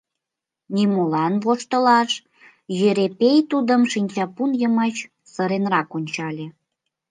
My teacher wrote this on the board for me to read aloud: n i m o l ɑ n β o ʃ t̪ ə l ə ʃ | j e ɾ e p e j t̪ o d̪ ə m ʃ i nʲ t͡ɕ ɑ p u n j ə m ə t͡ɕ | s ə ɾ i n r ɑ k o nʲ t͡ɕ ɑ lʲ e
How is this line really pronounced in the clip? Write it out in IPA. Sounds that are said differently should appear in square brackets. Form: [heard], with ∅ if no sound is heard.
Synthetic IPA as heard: n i m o l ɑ n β o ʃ t̪ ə l [ɑ] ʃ | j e ɾ e p e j t̪ [u] d̪ ə m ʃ i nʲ t͡ɕ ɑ p u n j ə m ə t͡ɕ | s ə ɾ [e] n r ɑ k o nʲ t͡ɕ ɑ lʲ e

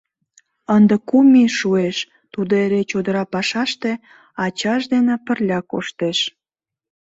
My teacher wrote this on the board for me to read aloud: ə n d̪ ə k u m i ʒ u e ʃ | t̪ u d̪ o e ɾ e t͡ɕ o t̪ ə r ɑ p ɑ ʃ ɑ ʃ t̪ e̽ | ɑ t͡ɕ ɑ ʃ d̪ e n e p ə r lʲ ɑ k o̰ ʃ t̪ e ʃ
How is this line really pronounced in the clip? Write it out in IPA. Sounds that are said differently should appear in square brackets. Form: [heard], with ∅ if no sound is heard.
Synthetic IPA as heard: ə n d̪ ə k u m i [ʃ] u e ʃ | t̪ u d̪ o e ɾ e t͡ɕ o [d̪] ə [ɾ] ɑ p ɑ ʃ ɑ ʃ t̪ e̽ | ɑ t͡ɕ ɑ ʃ d̪ e n e p ə r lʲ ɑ k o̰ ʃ t̪ e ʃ

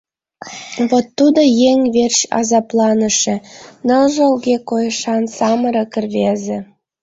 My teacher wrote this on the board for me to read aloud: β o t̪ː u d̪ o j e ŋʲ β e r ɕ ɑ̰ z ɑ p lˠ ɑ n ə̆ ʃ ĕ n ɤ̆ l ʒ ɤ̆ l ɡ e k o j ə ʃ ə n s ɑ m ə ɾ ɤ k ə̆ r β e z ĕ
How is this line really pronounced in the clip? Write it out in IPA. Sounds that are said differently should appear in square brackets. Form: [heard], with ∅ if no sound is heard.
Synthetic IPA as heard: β o t̪ː u d̪ o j e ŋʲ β e r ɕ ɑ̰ z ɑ p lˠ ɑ n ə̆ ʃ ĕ n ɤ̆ l ʒ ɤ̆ l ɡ e k o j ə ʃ [ɑ] n s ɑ m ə ɾ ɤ k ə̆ r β e z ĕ

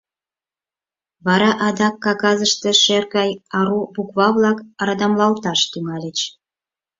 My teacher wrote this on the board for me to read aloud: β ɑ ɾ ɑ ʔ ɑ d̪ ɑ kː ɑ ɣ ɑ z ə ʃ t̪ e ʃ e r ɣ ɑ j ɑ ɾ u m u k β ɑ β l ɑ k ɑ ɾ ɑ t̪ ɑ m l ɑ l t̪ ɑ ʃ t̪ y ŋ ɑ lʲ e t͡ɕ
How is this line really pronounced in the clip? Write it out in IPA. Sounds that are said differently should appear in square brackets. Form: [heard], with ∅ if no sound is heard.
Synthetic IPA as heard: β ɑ ɾ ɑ ʔ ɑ d̪ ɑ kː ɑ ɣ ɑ z ə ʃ t̪ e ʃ e r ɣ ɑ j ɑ ɾ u [b] u k β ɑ β l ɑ k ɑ ɾ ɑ [d̪] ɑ m l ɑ l t̪ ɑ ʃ t̪ y ŋ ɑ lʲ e t͡ɕ

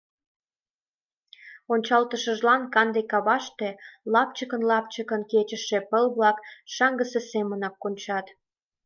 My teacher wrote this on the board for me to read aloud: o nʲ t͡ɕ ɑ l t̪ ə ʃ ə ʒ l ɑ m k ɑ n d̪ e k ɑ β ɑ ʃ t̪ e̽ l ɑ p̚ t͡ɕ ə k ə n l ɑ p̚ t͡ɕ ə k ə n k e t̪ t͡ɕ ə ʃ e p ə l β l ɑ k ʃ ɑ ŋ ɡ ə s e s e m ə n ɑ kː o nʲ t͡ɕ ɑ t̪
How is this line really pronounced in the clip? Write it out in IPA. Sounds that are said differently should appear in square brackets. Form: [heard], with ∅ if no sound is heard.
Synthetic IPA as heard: o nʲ t͡ɕ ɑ l t̪ ə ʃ ə ʒ l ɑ [n] k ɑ n d̪ e k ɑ β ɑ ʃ t̪ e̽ l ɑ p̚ t͡ɕ ə k ə n l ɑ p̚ t͡ɕ ə k ə n k e [∅] t͡ɕ ə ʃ e p ə l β l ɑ k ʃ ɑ ŋ ɡ ə s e s e m ə n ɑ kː o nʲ t͡ɕ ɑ t̪

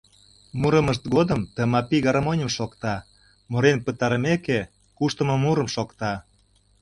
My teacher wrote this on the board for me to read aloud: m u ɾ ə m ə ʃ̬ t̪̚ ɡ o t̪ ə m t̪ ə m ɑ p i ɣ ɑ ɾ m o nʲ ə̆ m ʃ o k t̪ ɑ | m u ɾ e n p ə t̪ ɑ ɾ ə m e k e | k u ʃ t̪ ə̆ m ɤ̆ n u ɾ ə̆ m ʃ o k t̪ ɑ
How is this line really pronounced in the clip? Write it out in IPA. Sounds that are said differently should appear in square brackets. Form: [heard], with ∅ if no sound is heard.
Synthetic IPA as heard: m u ɾ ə m ə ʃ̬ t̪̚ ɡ o [d̪] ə m t̪ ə m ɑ p i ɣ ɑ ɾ m o nʲ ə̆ m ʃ o k t̪ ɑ | m [o] ɾ e n p ə t̪ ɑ ɾ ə m e k e | k u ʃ t̪ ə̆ m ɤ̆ [m] u ɾ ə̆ m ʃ o k t̪ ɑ

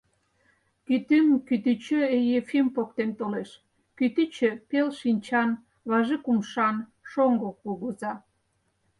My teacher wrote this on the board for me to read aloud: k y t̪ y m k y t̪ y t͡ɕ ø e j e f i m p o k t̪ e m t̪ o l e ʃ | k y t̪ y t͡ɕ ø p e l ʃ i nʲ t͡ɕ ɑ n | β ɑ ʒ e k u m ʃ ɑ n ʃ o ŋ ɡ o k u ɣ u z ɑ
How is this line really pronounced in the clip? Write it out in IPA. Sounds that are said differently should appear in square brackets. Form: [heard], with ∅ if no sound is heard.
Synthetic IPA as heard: k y t̪ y m k y t̪ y t͡ɕ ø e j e f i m p o k t̪ e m t̪ o l e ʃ | k y t̪ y t͡ɕ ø p e l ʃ i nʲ t͡ɕ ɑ n | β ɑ ʒ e k u m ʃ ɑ n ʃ o ŋ ɡ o k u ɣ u z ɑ

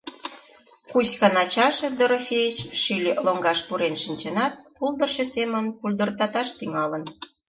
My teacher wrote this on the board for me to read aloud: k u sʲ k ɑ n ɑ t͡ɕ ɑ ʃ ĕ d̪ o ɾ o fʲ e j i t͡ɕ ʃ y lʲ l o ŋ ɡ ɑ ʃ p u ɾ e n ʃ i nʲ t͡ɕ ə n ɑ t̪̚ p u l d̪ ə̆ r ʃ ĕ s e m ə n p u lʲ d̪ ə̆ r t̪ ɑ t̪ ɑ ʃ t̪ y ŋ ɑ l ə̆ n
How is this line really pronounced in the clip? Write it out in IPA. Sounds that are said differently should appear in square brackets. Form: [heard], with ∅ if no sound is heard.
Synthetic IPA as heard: k u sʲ k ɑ n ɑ t͡ɕ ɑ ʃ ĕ d̪ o ɾ o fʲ e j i t͡ɕ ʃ y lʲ l o ŋ ɡ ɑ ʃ p u ɾ e n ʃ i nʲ t͡ɕ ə n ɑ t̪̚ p u l d̪ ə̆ r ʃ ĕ s e m ə n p u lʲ d̪ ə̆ r t̪ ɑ t̪ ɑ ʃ t̪ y ŋ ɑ l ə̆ n

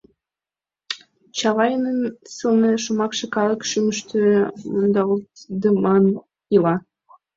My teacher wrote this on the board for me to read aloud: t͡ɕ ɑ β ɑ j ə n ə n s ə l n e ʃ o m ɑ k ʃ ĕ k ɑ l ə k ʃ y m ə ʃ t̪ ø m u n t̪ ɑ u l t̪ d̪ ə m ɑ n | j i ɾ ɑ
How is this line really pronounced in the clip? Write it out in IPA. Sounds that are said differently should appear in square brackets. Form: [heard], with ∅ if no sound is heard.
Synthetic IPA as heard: t͡ɕ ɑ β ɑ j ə n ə n s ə l n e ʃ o m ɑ k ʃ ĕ k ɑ l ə k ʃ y m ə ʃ t̪ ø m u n [d̪] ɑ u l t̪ d̪ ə m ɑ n | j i [l] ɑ

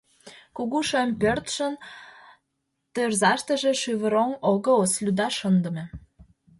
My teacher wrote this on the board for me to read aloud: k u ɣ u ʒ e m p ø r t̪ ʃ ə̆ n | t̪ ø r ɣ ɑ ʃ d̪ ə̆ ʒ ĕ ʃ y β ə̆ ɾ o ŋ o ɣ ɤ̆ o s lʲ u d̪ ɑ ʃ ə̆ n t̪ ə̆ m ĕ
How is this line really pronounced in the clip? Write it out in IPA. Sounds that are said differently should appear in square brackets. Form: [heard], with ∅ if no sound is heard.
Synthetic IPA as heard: k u ɣ u [ʃ] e m p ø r t̪ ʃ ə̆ n | t̪ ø r [z] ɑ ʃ [t̪] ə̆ ʒ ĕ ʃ y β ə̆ ɾ o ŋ o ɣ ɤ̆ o s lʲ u d̪ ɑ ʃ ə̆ n [d̪] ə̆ m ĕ

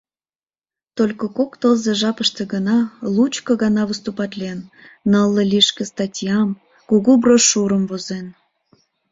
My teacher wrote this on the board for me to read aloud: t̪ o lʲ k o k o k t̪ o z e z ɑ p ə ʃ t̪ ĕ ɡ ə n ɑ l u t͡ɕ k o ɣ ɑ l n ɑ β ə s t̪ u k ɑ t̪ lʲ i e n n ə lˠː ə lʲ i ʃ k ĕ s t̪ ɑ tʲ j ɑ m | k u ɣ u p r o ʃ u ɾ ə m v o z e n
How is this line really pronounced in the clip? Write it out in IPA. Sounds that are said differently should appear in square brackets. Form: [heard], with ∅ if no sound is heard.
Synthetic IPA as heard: t̪ o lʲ k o k o k t̪ o z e [ʒ] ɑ p ə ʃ t̪ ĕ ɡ ə n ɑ l u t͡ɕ k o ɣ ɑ [∅] n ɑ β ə s t̪ u [p] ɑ t̪ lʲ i e n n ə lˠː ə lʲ i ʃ k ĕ s t̪ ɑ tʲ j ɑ m | k u ɣ u [b] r o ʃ u ɾ ə m v o z e n

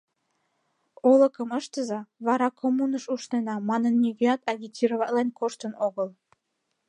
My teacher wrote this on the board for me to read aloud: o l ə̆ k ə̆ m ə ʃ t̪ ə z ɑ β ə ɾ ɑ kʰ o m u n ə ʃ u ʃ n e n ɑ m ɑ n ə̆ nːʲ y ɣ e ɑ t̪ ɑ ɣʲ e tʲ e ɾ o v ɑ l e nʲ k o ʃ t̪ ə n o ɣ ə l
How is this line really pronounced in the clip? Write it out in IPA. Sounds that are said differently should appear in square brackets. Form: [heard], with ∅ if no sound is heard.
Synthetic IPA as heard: o l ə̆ k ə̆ m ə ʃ t̪ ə z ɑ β [ɑ] ɾ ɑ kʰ o m u n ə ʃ u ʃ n e n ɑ m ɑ n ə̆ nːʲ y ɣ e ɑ t̪ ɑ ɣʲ [i] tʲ [i] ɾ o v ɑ l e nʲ k o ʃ t̪ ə n o ɣ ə l

